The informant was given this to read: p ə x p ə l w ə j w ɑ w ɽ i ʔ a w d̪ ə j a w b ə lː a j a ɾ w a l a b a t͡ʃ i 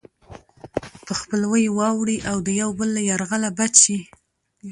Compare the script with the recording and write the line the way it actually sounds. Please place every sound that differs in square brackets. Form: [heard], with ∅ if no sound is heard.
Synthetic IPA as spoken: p ə x p ə l w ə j w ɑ w ɽ i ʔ a w d̪ ə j a w b ə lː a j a ɾ [ɣ] a l a b a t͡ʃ i